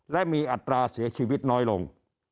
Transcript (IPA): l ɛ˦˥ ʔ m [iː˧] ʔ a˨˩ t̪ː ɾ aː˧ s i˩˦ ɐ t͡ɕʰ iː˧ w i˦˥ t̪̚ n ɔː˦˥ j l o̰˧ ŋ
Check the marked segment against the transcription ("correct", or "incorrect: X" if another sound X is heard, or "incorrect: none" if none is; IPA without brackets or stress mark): correct